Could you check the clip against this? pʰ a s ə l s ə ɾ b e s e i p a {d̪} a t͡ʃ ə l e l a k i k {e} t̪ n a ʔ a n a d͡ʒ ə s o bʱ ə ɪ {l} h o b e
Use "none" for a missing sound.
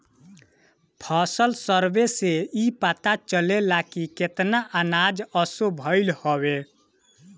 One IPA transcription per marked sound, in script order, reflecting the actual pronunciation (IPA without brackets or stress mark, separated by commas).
t̪, e, l